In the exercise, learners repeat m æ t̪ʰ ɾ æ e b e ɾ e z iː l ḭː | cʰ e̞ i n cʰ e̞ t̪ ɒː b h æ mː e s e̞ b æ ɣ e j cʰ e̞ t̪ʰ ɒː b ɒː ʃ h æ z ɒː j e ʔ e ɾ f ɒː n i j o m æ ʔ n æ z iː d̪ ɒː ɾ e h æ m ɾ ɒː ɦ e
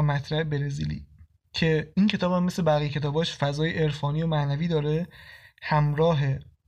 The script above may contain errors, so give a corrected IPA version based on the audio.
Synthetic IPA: m æ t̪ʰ ɾ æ e b e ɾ e z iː l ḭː | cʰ e̞ i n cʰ e̞ t̪ ɒː b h æ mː e s e̞ b æ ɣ i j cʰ e̞ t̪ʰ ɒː b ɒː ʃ f æ z ɒː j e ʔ e ɾ f ɒː n i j o m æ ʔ n æ v iː d̪ ɒː ɾ e h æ m ɾ ɒː ɦ e